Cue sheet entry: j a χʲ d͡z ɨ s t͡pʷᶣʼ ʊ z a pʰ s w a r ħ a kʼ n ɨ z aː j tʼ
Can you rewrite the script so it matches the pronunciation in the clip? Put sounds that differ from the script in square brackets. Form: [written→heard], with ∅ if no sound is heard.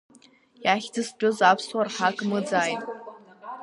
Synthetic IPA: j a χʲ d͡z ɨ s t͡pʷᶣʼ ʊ z a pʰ s w a r ħ a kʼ [n→m] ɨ [z→d͡z] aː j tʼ